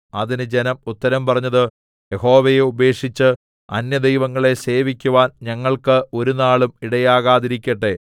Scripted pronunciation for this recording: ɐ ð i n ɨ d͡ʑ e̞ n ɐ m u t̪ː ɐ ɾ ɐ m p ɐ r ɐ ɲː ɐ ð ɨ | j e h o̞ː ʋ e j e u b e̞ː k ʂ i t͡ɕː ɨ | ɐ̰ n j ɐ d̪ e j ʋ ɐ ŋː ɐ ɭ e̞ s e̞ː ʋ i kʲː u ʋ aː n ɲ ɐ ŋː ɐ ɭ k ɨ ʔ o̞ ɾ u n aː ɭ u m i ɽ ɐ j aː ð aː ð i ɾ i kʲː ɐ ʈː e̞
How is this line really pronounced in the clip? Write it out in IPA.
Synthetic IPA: ɐ ð i n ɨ d͡ʑ e̞ n ɐ m u t̪ː ɐ ɾ ɐ m p ɐ r ɐ ɲː ɐ ð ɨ | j e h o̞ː ʋ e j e u b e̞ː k ʂ i t͡ɕː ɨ | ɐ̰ n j ɐ d̪ e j ʋ ɐ ŋː ɐ ɭ e̞ s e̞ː ʋ i kʲː u ʋ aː n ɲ ɐ ŋː ɐ ɭ k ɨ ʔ o̞ ɾ u n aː ɭ u m i ɽ ɐ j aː ɣ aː ð i ɾ i kʲː ɐ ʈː e̞